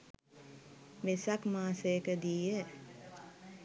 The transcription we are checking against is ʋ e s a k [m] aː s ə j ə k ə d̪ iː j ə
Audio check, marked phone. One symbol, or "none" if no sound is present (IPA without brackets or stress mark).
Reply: m